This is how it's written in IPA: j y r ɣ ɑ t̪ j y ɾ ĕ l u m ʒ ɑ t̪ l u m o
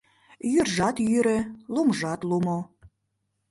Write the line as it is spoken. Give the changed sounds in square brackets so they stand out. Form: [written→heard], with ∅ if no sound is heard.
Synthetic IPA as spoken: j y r [ɣ→ʒ] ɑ t̪ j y ɾ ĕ l u m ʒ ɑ t̪ l u m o